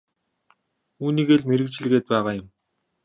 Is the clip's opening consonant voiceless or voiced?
voiced